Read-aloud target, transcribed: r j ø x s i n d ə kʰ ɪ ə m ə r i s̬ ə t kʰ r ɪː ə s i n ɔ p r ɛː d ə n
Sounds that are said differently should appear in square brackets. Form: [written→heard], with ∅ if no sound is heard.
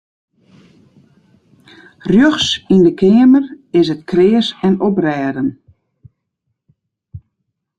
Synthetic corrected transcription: r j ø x s i n d ə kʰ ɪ ə m ə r [i→ɪ] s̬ ə t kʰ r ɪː ə s [i→ɛ] n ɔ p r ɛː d ə n